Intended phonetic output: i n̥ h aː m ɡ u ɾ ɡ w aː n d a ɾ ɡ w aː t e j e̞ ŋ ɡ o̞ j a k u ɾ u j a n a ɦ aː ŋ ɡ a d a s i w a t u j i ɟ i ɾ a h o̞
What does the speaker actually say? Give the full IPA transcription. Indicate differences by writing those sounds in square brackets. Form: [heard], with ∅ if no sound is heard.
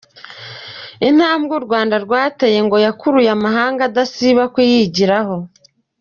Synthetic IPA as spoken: i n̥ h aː m ɡ u ɾ ɡ w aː n d a ɾ ɡ w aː t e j e̞ ŋ ɡ o̞ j a k u ɾ u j a [m] a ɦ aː ŋ ɡ a d a s i [β] a [k] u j i ɟ i ɾ a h o̞